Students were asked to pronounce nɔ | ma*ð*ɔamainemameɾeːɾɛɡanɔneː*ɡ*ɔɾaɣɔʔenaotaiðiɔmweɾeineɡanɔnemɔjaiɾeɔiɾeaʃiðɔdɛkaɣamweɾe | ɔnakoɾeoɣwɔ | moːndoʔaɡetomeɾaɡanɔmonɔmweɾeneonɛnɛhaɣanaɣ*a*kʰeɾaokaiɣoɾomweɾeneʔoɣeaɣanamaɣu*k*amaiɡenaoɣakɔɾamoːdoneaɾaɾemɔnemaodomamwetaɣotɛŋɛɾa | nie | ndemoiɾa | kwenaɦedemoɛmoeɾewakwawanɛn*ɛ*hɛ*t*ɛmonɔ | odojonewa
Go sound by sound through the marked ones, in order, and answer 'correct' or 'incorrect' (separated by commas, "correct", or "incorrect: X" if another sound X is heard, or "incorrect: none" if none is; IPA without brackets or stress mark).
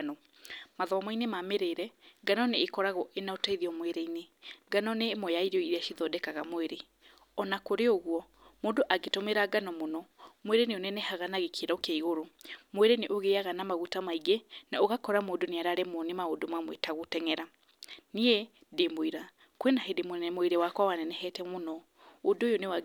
correct, incorrect: k, incorrect: e, incorrect: t, correct, correct